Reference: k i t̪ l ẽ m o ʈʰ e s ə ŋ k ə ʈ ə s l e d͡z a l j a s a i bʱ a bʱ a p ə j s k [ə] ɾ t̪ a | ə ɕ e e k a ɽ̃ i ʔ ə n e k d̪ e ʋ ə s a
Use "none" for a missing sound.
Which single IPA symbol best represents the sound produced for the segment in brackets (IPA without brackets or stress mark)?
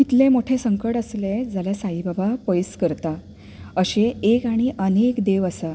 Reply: ə